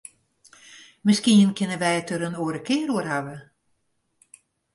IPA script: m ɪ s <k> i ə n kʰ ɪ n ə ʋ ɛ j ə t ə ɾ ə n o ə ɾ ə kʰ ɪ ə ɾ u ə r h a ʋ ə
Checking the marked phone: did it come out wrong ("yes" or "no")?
no